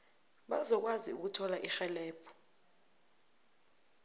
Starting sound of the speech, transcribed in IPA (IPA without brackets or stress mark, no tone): ɓ